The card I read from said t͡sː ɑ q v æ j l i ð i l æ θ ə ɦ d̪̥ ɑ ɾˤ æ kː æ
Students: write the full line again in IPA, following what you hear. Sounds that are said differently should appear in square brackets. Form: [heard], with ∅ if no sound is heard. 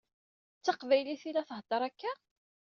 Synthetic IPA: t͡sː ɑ q v æ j l i [θ] i l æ θ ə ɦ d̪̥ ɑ ɾˤ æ kː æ